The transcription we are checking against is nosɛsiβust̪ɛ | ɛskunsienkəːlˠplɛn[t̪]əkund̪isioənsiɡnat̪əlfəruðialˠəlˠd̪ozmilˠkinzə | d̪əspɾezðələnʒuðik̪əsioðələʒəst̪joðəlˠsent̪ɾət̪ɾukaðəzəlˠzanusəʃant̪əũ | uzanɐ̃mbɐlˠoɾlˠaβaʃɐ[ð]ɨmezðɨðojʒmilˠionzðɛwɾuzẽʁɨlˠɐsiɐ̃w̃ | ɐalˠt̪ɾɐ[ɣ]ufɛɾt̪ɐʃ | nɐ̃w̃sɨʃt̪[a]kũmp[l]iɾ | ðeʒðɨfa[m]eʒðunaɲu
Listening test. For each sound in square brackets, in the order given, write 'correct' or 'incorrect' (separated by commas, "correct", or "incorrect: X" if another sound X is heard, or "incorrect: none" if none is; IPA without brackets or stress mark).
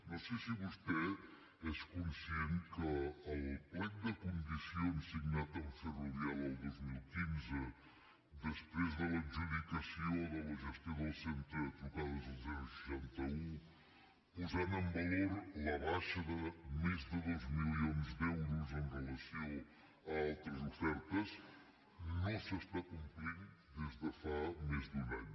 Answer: incorrect: d̪, correct, incorrect: z, correct, incorrect: ɾ, correct